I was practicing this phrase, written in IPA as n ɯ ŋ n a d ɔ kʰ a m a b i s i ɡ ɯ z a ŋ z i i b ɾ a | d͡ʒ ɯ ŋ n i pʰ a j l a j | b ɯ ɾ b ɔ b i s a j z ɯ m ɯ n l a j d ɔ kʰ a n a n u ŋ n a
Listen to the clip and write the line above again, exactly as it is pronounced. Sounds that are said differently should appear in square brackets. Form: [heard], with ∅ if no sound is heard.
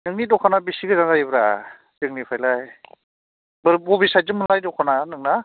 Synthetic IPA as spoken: n ɯ ŋ n [i] d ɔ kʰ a [n] a b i s i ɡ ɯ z a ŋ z [a] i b ɾ a | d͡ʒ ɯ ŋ n i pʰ a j l a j | b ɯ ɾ b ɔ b i s a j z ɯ m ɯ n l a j d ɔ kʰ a n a n [ɯ] ŋ n a